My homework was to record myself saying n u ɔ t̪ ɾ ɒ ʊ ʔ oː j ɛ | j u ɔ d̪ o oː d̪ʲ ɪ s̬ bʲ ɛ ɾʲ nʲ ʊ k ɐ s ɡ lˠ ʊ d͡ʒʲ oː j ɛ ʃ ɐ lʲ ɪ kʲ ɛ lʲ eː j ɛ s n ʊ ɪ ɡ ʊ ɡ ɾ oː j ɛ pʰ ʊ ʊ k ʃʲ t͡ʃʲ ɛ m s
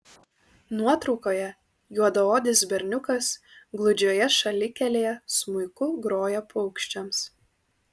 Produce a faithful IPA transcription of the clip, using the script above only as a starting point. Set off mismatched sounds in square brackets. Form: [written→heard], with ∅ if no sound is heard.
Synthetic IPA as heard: n u ɔ t̪ ɾ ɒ ʊ [ʔ→k] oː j ɛ | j u ɔ d̪ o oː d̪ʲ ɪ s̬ bʲ ɛ ɾʲ nʲ ʊ k ɐ s ɡ lˠ ʊ d͡ʒʲ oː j ɛ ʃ ɐ lʲ ɪ kʲ ɛ lʲ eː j ɛ s [n→m] ʊ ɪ [ɡ→k] ʊ ɡ ɾ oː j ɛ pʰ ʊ ʊ k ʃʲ t͡ʃʲ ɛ m s